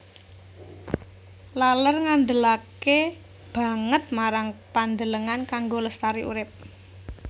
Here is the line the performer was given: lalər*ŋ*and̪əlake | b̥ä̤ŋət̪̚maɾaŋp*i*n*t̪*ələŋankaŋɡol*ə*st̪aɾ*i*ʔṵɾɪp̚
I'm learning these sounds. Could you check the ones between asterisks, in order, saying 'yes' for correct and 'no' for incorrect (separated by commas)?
yes, no, no, yes, yes